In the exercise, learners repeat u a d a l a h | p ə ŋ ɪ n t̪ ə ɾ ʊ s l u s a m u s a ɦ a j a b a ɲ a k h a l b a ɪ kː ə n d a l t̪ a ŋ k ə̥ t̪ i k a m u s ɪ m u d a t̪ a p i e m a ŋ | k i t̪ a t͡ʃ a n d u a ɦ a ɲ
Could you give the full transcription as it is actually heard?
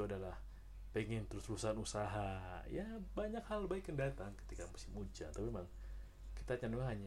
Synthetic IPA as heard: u a d a l a h | p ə ŋ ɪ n t̪ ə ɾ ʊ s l u s a n u s a ɦ a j a b a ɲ a k h a l b a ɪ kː ə n d a t̪ a ŋ k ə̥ t̪ i k a m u s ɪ m u d͡ʒ a t̪ a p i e m a ŋ | k i t̪ a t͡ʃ a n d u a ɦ a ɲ